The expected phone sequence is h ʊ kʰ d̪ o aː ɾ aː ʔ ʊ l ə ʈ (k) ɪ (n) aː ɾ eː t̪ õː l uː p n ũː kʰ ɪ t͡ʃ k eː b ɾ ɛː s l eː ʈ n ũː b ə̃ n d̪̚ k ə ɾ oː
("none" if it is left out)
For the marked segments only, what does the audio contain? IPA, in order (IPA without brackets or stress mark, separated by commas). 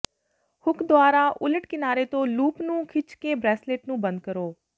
k, n